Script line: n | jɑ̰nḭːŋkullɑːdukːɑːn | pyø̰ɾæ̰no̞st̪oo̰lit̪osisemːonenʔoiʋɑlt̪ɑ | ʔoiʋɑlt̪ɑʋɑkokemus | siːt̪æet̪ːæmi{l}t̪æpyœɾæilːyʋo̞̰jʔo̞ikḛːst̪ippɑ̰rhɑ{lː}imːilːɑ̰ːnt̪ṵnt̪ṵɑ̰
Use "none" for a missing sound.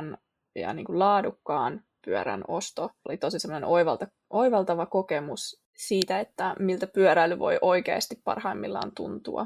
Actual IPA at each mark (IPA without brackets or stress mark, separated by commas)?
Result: l, none